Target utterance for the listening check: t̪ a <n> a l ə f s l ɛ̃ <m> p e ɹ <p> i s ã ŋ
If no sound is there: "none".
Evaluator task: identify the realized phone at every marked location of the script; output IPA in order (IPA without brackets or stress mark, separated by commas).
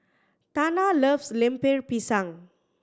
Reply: n, m, p